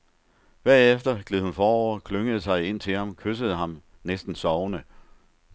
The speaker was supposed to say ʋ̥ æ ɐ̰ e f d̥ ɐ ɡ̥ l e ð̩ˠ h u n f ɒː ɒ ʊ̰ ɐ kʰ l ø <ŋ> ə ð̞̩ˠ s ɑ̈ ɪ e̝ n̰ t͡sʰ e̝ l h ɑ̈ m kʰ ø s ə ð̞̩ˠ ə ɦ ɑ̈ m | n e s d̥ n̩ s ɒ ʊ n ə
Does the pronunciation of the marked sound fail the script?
no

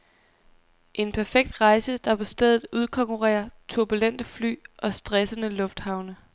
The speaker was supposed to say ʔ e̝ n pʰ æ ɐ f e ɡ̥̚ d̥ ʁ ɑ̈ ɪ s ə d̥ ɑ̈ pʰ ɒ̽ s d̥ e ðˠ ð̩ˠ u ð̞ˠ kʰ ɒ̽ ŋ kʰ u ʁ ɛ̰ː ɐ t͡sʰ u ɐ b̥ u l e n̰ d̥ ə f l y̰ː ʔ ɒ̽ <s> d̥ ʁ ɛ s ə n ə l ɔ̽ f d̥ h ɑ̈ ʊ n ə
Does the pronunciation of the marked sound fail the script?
no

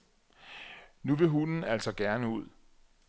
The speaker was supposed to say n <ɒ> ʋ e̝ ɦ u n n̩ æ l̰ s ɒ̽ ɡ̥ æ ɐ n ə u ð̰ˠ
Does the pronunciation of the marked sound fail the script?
yes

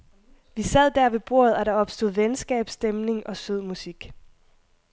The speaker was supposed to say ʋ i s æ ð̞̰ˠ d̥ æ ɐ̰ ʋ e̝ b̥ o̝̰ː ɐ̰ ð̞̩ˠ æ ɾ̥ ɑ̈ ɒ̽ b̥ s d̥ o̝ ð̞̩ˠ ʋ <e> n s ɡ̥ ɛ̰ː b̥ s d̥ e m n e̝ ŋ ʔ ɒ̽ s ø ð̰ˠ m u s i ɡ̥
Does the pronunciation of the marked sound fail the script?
no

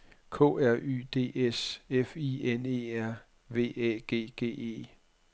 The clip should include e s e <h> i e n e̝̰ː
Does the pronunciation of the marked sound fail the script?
yes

